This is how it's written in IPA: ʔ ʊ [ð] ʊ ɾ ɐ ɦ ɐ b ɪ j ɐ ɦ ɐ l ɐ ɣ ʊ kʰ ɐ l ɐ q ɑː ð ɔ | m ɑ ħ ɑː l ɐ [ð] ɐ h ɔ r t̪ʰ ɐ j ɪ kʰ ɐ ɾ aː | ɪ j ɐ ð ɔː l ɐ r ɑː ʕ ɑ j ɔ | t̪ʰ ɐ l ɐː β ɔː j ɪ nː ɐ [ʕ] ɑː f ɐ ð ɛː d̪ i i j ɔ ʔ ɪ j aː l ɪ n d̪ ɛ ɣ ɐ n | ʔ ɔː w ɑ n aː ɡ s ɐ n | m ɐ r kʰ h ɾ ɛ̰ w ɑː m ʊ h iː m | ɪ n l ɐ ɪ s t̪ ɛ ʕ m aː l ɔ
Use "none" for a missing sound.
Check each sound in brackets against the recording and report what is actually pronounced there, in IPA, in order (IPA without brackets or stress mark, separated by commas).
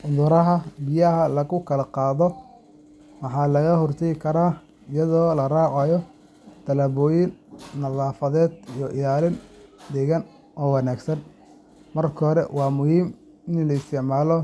ð, ɣ, ð